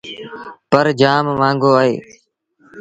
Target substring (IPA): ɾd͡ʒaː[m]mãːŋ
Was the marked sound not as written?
no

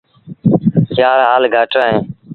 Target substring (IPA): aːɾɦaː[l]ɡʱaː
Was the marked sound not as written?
no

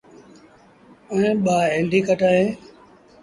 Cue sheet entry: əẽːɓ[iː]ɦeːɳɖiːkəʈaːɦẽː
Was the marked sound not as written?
yes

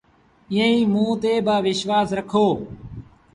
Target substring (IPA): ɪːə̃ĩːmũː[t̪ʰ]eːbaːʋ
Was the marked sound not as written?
yes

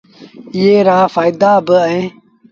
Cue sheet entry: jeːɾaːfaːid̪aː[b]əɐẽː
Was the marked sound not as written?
no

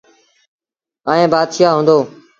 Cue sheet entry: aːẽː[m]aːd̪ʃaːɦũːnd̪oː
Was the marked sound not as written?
yes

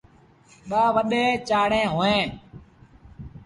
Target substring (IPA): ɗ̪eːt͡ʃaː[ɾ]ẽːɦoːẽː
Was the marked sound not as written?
yes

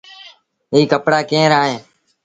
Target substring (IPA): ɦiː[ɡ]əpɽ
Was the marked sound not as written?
yes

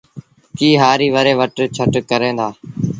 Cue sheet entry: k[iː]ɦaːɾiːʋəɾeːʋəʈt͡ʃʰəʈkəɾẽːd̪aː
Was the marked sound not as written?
no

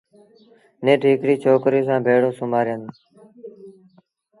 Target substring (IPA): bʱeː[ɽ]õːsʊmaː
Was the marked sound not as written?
no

